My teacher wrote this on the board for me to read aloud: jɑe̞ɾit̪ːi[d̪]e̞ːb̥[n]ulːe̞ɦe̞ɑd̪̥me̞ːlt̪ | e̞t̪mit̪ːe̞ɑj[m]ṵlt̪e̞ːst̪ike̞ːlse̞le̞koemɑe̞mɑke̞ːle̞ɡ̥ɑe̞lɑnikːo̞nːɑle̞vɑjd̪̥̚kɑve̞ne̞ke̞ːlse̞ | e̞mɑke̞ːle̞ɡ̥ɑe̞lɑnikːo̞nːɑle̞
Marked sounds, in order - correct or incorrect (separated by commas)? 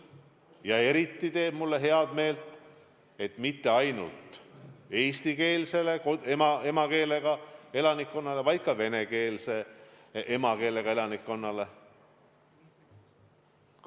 incorrect, incorrect, incorrect